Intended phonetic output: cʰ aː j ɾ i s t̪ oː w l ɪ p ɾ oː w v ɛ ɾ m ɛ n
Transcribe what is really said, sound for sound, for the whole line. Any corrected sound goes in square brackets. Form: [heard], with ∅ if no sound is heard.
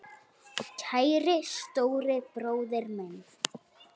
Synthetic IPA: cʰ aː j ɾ [ɪ] s t̪ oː w [ɾ] ɪ p ɾ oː w [ð] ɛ ɾ m ɛ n